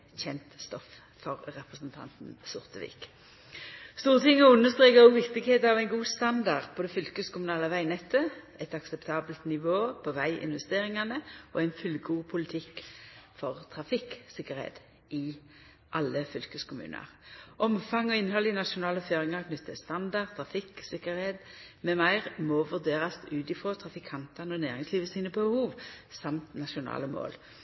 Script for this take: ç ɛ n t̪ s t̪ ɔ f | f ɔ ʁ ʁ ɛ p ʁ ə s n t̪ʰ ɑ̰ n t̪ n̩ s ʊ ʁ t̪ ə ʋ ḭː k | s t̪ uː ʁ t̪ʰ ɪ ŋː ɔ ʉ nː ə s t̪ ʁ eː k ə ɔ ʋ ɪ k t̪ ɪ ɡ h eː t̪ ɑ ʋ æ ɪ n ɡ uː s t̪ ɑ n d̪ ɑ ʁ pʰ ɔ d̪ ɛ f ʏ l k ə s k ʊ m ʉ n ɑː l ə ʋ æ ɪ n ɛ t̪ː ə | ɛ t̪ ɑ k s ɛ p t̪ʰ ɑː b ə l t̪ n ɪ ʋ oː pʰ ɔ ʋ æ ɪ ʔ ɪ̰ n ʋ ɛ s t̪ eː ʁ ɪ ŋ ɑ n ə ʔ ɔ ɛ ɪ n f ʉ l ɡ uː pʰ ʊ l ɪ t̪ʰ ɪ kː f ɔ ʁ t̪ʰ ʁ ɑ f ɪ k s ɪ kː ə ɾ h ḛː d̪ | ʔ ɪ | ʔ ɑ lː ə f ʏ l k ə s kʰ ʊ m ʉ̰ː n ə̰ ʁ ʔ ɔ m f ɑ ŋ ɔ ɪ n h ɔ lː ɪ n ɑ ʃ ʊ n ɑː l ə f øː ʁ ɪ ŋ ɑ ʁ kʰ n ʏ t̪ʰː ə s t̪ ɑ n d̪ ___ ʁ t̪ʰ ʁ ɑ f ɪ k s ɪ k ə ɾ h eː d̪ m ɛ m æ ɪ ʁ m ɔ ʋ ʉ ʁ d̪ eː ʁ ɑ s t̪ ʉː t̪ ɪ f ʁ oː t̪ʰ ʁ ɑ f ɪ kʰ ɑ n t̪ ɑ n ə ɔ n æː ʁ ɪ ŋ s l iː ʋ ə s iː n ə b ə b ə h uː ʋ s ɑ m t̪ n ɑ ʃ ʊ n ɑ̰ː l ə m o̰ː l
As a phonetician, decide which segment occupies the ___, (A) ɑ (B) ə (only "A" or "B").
A